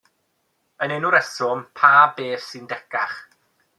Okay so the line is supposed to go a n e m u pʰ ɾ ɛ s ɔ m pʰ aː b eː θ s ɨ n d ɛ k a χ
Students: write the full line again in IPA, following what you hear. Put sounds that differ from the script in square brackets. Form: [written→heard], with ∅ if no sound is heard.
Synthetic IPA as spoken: [a→ə] n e [m→n] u [pʰ→∅] ɾ ɛ s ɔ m pʰ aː b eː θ s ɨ n d ɛ k a χ

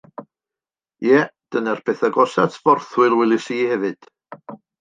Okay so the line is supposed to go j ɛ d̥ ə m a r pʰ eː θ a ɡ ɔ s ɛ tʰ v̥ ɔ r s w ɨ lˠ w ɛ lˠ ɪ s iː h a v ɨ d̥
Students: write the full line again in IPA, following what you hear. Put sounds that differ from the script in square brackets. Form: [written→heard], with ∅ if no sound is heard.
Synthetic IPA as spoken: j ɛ d̥ ə [m→n] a r pʰ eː θ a ɡ ɔ s [ɛ→a] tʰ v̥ ɔ r [s→θ] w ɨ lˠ w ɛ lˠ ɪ s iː h [a→ɛ] v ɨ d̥

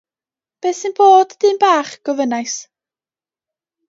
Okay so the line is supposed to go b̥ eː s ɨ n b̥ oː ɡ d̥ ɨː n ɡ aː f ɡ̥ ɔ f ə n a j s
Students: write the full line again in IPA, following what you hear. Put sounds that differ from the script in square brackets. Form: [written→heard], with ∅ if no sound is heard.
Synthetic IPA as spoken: b̥ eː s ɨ n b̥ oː [ɡ→d] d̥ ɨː n [ɡ→b] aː [f→χ] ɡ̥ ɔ [f→v] ə n a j s

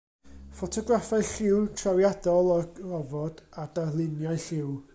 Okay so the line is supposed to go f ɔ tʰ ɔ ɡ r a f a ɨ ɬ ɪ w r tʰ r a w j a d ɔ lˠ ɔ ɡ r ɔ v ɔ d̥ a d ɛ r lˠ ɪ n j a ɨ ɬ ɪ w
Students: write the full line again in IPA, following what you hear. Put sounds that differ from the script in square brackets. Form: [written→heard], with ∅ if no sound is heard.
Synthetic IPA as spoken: f ɔ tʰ ɔ ɡ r a f a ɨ ɬ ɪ w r tʰ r a w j a d ɔ lˠ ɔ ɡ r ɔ v ɔ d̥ a d [ɛ→a] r lˠ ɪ n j a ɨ ɬ ɪ w

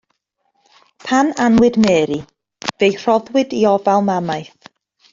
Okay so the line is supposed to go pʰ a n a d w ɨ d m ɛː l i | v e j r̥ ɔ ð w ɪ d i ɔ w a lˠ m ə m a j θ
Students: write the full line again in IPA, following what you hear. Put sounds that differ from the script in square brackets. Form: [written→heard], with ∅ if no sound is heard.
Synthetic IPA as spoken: pʰ a n a [d→n] w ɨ d m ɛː [l→ɾ] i | v e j r̥ ɔ ð w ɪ d i ɔ [w→v] a lˠ m [ə→a] m a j θ

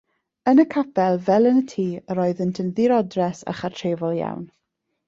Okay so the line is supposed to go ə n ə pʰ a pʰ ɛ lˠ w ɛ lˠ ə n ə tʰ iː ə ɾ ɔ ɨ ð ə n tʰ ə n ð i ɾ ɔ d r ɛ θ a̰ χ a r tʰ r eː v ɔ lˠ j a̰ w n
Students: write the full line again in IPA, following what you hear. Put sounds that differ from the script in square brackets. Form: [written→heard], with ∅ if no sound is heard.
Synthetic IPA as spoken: ə n ə [pʰ→kʰ] a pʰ ɛ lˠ [w→v] ɛ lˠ ə n ə tʰ iː ə ɾ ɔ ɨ ð ə n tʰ ə n ð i ɾ ɔ d r ɛ [θ→s] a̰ χ a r tʰ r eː v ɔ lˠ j a̰ w n

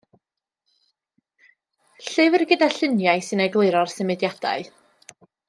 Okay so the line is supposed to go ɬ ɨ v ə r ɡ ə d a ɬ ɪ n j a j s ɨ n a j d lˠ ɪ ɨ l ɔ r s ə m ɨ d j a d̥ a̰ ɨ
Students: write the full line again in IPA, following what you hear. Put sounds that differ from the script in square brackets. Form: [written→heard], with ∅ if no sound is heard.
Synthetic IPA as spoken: ɬ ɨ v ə r ɡ ə d a ɬ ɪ n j a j s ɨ n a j [d→ɡ] lˠ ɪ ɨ [l→ɾ] ɔ r s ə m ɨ d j a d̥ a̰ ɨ

